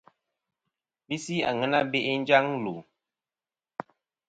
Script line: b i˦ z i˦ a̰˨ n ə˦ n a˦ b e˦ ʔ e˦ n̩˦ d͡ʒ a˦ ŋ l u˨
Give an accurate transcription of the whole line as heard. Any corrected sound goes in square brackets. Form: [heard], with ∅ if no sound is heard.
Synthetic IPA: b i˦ [s] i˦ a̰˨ [ŋ] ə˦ n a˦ b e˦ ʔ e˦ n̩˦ d͡ʒ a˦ ŋ l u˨